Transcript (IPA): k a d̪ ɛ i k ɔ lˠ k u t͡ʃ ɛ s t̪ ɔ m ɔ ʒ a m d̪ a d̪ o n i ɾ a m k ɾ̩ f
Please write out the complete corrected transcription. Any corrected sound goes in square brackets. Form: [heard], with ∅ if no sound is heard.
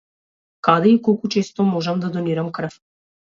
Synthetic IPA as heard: k a d̪ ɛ i k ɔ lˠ k u t͡ʃ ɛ s t̪ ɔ m ɔ ʒ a m d̪ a d̪ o n i ɾ a m k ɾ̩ f